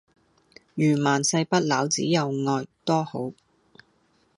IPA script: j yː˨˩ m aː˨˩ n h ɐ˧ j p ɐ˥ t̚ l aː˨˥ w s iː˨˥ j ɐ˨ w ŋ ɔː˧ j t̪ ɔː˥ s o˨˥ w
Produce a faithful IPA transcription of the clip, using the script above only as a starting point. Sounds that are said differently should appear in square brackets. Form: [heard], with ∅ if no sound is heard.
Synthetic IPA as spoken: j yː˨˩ m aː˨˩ n [s] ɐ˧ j p ɐ˥ t̚ l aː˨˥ w [t͡s] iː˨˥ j ɐ˨ w ŋ ɔː˧ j t̪ ɔː˥ [h] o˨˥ w